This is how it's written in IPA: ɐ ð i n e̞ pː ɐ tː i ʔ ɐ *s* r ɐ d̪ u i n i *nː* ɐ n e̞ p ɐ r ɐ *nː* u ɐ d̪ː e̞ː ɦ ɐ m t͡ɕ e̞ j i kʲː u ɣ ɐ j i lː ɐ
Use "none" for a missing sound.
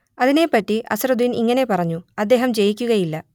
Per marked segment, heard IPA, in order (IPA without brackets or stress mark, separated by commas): s, ŋː, ɲː